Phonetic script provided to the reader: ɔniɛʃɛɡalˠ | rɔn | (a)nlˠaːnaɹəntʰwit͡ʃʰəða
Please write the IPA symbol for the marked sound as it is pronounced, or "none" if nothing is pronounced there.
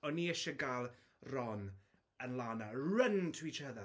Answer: ə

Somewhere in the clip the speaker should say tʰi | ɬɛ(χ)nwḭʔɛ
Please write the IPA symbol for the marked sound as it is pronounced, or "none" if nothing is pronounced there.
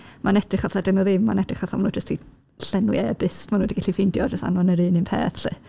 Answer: none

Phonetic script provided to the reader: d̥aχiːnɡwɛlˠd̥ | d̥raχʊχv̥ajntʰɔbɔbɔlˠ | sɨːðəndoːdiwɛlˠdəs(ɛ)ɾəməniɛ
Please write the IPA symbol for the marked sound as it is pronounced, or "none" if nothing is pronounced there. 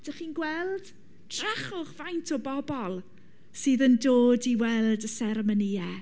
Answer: ɛ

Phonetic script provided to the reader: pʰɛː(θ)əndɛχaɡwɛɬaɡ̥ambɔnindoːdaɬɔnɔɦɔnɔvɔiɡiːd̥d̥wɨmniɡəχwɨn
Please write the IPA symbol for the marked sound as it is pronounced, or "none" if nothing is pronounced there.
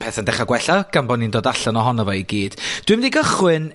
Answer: θ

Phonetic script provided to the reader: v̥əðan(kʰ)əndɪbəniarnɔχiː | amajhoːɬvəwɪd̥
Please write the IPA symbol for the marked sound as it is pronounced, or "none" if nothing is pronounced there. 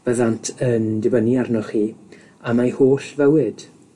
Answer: tʰ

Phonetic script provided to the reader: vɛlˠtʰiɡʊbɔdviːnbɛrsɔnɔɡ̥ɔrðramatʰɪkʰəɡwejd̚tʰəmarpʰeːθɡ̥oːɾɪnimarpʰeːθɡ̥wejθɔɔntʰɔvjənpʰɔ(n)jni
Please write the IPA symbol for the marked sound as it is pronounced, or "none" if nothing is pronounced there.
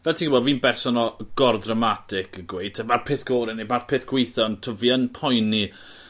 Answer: none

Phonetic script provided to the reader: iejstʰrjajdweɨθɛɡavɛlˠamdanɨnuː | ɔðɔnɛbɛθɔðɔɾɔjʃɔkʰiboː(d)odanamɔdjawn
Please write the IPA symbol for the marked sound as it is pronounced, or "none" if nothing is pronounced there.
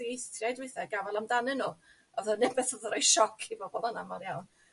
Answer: b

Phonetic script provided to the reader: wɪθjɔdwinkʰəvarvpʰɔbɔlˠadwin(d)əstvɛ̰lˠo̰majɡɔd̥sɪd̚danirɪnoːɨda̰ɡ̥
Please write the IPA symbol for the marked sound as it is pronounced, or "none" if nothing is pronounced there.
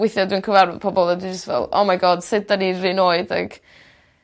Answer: d͡ʒ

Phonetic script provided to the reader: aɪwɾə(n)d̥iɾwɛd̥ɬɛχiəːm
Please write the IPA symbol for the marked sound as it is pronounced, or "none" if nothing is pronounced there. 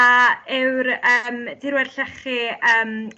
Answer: m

